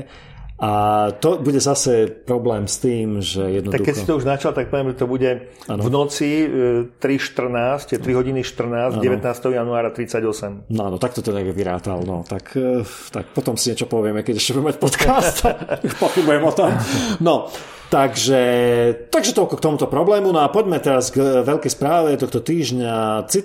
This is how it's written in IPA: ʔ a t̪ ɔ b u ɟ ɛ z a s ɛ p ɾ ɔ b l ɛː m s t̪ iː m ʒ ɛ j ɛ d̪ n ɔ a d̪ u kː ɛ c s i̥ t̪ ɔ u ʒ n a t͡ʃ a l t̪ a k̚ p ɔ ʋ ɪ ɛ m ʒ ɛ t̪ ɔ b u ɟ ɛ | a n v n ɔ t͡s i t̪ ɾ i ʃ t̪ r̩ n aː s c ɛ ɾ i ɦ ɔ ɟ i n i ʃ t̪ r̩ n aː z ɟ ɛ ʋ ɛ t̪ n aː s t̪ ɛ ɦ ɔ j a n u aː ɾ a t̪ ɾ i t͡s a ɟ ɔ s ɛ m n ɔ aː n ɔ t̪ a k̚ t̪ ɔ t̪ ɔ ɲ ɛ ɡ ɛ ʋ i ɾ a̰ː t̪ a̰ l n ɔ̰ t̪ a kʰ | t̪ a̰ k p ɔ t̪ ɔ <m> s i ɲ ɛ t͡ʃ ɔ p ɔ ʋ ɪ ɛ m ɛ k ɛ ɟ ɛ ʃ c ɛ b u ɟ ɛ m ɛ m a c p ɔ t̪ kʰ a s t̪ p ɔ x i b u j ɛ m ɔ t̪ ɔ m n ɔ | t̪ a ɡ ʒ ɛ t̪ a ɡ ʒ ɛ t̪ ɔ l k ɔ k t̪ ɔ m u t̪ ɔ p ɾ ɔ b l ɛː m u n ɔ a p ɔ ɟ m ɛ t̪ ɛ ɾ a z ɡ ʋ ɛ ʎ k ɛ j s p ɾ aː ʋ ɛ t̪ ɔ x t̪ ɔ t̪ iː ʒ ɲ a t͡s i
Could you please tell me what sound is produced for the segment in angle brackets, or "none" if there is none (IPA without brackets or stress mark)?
m